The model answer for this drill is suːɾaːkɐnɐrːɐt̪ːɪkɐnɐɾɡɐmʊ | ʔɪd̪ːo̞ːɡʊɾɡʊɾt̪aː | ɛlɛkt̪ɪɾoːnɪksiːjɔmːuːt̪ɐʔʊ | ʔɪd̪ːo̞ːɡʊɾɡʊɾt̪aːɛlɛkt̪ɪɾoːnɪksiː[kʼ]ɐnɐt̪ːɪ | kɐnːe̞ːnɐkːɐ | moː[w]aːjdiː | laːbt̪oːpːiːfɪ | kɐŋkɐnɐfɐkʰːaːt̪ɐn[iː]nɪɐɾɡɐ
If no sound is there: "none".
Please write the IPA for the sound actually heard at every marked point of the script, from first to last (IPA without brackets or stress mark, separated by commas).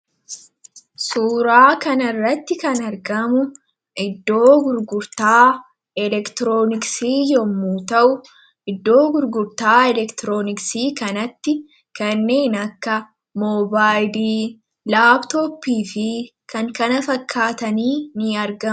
k, b, iː